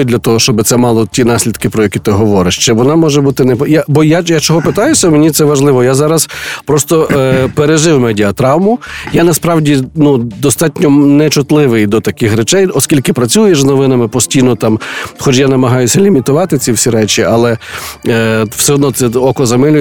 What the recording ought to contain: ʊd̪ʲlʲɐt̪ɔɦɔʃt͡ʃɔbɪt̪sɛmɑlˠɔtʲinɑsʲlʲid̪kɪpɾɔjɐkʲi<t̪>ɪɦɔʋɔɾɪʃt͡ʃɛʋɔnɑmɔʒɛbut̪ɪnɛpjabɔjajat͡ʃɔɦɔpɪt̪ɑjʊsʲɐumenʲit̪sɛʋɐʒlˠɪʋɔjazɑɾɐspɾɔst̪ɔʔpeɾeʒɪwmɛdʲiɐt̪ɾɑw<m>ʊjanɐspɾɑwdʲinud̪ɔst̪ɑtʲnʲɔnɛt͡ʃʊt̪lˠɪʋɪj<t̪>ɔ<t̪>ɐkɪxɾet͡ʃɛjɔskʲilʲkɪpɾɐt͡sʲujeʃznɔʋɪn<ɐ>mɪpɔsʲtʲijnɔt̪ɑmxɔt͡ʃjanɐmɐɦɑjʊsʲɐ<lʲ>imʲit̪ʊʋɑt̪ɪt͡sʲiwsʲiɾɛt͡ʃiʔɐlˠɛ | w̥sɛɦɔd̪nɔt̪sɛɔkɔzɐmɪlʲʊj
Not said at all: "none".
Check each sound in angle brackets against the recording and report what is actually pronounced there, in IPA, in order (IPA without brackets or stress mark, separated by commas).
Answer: t̪, m, d̪, t̪, ɐ, lʲ